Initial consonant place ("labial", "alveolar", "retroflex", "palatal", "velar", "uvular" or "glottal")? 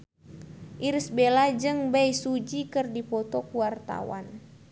glottal